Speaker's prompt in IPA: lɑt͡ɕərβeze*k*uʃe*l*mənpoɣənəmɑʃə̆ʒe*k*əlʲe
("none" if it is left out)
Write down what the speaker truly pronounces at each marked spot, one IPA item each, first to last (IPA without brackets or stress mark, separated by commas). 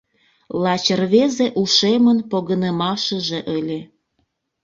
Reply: ʔ, none, ʔ